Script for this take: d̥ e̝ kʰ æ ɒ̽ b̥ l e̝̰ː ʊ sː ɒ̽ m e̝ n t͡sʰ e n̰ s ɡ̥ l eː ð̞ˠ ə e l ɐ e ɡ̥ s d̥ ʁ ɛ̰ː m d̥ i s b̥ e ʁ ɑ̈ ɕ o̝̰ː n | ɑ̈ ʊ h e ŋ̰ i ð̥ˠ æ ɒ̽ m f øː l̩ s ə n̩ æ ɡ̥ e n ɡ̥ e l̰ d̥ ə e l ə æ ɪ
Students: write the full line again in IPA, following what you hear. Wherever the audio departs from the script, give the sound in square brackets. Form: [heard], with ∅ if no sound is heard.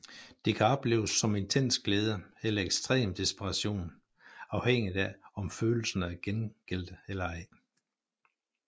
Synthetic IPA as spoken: d̥ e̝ kʰ æ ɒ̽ b̥ l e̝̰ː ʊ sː ɒ̽ m e̝ n t͡sʰ e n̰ s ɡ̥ l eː ð̞ˠ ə e l ɐ e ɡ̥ s d̥ ʁ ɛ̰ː m d̥ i s b̥ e ʁ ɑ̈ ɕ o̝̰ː n | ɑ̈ ʊ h e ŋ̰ i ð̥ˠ æ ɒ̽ m f øː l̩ s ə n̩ æ ɡ̥ e n ɡ̥ e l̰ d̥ ə e l [ɐ] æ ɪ